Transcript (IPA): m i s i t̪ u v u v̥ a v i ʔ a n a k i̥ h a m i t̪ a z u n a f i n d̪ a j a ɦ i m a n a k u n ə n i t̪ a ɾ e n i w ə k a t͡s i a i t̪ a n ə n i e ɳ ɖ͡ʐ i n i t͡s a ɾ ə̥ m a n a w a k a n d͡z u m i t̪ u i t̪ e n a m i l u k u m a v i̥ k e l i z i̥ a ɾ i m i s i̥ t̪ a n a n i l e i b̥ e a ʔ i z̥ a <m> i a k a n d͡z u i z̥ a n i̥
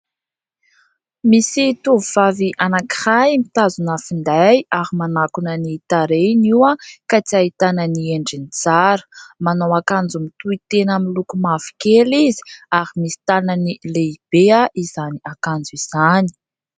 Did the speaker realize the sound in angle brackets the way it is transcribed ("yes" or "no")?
no